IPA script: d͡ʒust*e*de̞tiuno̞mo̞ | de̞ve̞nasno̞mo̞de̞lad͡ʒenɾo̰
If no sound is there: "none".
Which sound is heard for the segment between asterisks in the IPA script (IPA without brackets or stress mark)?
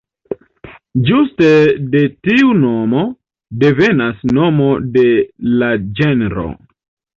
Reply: e